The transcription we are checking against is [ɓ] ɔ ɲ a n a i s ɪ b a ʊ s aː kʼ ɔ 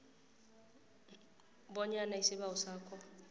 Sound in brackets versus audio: incorrect: b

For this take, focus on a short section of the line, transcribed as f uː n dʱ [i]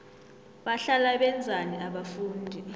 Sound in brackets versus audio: correct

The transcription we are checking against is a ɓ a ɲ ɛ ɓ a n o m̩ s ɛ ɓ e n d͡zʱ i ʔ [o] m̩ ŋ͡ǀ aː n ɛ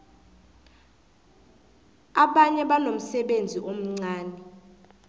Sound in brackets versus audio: correct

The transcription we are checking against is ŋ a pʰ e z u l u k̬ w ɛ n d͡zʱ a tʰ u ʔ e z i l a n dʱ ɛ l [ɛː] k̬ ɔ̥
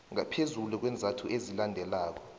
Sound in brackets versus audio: incorrect: aː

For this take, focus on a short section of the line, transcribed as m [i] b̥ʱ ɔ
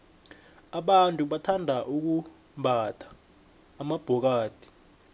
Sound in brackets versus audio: incorrect: a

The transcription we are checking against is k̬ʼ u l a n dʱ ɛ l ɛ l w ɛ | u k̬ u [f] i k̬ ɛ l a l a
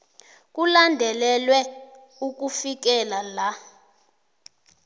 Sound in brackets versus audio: correct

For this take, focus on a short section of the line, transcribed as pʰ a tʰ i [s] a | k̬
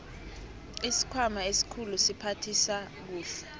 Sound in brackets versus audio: correct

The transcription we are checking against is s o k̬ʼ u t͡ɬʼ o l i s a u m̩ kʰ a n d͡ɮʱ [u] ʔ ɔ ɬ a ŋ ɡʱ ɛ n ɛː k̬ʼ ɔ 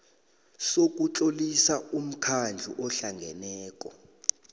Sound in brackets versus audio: correct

